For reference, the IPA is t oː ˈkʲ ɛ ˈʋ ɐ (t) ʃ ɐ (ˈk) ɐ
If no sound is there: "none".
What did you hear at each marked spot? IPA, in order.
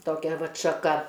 t, k

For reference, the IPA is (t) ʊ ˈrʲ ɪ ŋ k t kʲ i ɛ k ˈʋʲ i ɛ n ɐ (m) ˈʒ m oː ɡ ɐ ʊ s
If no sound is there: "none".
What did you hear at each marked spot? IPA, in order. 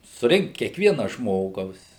s, none

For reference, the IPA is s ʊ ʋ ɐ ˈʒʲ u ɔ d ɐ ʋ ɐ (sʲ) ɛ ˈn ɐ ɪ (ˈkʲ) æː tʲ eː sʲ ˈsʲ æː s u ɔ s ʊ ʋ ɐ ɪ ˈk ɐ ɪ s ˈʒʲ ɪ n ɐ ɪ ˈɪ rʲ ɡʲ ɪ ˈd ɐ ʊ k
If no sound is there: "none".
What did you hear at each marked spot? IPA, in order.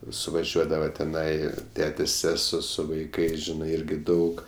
tʲ, tʲ

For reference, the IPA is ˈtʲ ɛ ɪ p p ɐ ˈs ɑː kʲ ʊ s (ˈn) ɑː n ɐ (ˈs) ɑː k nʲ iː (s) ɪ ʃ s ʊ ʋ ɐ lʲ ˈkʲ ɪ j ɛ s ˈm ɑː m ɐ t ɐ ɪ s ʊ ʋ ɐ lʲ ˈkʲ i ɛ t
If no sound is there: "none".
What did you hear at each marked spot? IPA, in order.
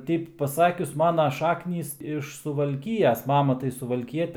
m, ʃ, s

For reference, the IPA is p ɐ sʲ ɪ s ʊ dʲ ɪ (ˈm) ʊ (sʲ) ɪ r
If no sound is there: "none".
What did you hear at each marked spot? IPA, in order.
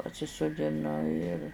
n, none

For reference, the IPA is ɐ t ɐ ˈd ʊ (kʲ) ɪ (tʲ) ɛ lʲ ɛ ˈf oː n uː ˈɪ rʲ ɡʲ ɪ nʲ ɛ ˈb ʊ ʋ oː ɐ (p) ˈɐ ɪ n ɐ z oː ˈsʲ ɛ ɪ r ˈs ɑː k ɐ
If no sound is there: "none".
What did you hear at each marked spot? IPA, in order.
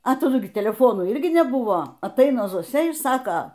ɡʲ, tʲ, t

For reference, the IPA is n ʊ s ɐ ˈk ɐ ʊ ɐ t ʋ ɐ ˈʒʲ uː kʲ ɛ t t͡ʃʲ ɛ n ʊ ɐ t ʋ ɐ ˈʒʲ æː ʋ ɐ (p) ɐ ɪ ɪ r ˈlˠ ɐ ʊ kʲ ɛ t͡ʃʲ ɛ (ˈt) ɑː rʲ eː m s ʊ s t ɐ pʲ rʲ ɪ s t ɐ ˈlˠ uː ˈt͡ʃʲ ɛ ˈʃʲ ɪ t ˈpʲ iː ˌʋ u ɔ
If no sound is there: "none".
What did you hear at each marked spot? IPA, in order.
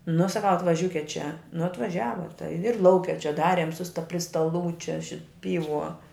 t, d

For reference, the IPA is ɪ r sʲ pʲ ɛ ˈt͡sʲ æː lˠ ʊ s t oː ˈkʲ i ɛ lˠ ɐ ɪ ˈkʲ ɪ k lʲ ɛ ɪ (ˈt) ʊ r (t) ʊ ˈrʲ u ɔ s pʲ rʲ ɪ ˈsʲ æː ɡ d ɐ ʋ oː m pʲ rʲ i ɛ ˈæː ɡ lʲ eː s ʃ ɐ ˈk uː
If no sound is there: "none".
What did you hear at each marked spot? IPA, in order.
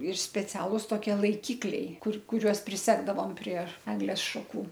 k, k

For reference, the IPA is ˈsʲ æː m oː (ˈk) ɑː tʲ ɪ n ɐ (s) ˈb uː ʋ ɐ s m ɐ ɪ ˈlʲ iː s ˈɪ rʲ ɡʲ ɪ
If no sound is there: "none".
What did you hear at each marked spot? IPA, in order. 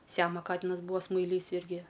k, s

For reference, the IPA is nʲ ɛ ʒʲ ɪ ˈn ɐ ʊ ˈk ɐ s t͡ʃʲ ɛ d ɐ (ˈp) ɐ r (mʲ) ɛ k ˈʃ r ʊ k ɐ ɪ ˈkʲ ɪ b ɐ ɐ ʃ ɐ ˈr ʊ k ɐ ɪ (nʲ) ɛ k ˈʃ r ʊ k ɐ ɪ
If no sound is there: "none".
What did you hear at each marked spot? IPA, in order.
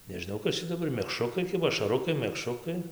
b, mʲ, mʲ

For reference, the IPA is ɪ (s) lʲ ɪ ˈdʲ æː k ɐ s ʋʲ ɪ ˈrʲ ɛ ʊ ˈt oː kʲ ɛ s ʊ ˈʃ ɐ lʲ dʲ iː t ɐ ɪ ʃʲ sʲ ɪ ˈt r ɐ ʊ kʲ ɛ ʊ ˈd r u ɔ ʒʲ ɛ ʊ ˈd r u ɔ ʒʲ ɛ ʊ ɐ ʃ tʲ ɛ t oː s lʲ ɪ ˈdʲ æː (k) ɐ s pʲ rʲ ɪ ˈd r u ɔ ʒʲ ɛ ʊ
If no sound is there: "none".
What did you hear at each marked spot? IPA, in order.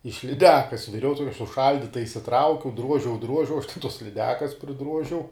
ʃ, k

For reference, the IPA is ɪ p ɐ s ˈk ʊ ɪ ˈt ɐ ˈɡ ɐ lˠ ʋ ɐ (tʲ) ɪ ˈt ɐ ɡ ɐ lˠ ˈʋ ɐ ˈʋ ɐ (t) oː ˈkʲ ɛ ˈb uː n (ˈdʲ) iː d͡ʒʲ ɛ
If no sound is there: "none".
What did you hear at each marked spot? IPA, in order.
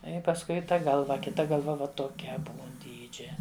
kʲ, t, dʲ

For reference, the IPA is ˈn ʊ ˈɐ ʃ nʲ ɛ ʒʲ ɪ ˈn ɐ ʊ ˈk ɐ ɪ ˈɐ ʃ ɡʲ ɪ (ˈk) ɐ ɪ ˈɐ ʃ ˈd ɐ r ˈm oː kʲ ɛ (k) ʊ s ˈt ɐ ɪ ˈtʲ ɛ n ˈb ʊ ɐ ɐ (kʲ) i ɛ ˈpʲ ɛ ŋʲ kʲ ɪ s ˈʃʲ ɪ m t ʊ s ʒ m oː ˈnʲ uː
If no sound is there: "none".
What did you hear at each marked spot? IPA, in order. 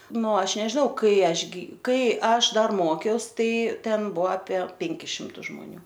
k, none, pʲ

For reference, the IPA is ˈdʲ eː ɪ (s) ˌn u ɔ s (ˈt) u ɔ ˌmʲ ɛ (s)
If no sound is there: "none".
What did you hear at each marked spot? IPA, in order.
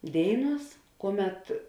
none, k, t

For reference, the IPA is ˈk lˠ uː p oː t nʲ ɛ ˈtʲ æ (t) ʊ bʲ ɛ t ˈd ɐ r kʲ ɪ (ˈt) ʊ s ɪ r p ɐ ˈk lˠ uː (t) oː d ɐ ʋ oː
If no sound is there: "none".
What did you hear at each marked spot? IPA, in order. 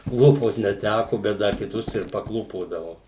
k, t, p

